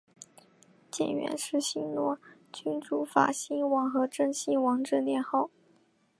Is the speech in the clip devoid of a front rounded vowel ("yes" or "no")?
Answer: no